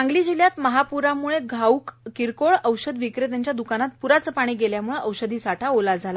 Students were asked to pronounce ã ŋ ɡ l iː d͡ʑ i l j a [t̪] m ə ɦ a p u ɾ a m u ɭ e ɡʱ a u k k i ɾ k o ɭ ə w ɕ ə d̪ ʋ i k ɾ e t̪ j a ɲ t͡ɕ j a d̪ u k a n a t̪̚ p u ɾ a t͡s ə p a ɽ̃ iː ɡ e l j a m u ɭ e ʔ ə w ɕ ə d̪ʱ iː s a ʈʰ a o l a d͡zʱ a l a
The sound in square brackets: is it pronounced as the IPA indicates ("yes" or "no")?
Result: yes